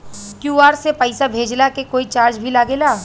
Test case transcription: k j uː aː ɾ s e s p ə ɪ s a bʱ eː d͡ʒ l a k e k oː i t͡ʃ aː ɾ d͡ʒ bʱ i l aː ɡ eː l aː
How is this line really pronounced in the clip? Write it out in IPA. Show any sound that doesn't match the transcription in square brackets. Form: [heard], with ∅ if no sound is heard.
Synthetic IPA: k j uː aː ɾ s e [∅] p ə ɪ s a bʱ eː d͡ʒ l a k e k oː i t͡ʃ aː ɾ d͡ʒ bʱ i l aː ɡ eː l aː